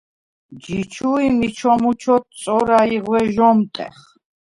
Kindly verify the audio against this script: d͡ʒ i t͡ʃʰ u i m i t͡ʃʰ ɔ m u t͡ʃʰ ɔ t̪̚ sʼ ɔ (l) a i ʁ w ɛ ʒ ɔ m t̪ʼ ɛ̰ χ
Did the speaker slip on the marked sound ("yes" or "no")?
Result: yes